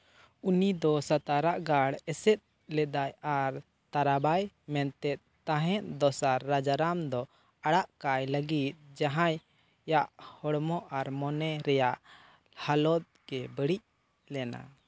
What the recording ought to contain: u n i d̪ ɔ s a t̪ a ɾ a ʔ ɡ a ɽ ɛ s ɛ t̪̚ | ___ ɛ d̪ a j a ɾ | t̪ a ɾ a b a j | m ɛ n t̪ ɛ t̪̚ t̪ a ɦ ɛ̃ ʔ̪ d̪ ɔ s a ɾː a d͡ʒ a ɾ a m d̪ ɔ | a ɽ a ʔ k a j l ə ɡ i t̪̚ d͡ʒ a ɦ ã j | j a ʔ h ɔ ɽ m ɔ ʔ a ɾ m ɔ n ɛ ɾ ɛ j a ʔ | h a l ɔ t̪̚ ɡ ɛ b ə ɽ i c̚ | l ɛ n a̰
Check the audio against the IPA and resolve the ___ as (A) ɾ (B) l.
B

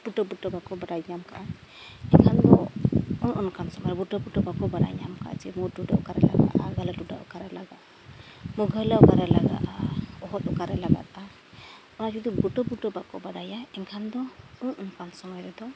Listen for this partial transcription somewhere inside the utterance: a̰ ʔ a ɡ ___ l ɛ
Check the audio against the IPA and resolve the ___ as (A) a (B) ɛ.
A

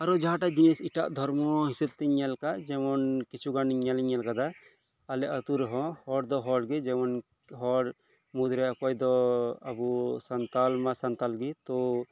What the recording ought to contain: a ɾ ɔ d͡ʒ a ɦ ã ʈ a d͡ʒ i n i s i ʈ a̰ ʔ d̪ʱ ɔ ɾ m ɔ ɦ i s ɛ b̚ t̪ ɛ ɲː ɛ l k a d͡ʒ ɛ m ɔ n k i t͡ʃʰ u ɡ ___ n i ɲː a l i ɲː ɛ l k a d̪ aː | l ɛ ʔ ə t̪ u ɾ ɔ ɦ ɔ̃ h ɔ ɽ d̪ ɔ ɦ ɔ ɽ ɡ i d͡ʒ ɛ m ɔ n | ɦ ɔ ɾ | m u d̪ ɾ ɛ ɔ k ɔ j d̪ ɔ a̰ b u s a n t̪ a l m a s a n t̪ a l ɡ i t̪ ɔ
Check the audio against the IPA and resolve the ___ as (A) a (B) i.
A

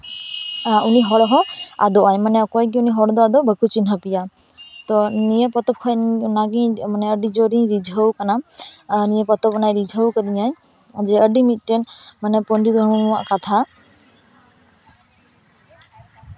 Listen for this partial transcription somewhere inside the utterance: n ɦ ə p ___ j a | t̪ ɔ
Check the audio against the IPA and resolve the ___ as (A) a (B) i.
B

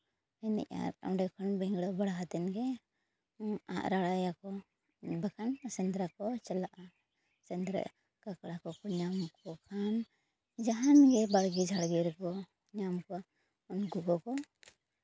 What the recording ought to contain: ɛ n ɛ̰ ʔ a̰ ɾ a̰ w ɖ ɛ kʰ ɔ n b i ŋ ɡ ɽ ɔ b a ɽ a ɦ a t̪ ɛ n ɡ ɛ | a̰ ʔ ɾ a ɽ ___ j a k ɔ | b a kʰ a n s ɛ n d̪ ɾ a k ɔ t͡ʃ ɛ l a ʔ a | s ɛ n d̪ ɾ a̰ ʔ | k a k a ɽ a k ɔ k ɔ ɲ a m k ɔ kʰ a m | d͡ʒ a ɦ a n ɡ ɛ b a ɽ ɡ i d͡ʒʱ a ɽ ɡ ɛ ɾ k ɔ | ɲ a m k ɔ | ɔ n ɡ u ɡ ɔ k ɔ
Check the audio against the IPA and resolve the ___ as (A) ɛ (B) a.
B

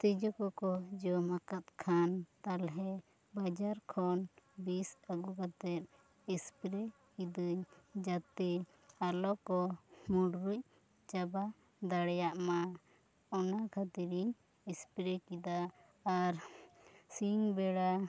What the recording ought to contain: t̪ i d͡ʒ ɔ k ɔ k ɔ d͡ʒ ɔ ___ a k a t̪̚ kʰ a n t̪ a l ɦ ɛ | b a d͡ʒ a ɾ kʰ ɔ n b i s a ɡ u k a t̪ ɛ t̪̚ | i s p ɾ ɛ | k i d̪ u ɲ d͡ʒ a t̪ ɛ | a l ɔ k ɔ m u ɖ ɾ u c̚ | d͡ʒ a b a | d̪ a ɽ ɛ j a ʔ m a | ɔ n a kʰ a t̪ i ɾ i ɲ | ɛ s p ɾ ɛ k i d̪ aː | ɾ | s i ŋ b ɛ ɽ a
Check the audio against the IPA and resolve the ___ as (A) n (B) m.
B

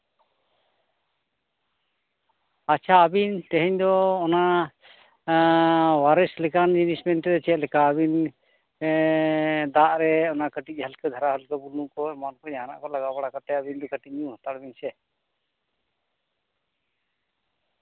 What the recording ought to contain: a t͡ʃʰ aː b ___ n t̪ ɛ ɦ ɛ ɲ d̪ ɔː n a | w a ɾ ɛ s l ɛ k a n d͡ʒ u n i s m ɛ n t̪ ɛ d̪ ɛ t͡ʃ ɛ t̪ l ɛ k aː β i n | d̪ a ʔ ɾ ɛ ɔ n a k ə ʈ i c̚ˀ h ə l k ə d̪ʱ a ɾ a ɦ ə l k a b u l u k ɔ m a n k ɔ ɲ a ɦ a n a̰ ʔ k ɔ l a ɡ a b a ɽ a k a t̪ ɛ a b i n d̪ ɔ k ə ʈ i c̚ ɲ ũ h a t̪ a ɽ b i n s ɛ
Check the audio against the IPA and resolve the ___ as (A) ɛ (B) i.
B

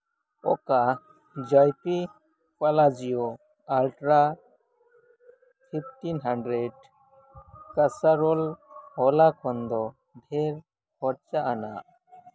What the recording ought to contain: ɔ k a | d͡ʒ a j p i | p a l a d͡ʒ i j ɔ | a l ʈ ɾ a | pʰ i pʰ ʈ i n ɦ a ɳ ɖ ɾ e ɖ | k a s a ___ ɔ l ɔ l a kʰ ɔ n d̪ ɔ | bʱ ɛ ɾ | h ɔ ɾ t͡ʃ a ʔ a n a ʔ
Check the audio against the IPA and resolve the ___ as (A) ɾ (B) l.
A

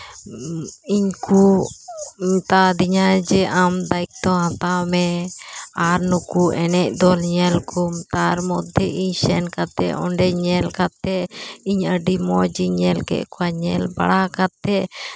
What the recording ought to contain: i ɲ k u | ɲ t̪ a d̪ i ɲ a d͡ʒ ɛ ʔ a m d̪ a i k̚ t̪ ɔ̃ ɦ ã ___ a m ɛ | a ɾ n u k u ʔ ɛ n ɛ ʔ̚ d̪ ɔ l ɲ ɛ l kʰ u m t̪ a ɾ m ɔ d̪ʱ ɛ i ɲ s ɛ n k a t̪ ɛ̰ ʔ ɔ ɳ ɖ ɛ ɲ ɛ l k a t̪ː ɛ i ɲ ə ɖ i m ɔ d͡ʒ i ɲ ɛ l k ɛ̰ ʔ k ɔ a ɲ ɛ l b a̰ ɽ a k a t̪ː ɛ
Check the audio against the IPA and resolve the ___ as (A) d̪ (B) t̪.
B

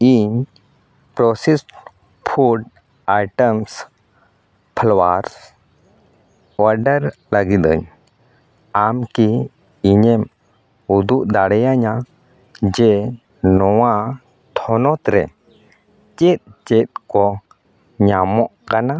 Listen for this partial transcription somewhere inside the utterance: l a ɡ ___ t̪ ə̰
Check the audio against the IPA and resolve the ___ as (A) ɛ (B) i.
B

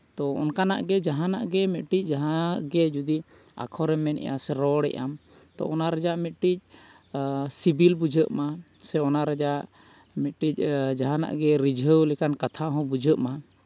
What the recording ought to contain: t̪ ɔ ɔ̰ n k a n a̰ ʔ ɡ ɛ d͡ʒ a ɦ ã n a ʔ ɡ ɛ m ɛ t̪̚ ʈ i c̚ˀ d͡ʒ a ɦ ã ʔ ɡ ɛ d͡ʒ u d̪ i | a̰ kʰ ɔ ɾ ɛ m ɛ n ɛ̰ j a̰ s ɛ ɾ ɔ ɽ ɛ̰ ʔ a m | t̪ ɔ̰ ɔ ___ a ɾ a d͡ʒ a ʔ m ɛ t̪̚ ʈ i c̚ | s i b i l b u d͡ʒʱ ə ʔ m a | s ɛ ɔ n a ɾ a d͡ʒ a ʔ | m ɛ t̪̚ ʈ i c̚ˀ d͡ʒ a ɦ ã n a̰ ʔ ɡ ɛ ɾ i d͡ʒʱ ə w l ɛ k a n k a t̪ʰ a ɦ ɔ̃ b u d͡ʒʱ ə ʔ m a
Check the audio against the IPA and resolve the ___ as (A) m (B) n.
B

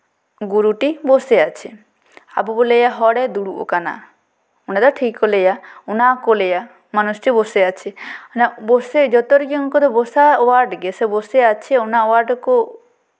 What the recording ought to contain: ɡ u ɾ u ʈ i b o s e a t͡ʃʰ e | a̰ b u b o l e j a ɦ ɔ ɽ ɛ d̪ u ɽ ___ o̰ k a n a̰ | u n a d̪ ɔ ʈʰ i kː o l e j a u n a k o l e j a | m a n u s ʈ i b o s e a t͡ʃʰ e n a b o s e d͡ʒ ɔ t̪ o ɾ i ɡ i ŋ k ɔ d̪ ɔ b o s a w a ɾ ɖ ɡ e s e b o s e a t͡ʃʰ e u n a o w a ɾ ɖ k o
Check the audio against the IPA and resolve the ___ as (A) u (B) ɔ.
A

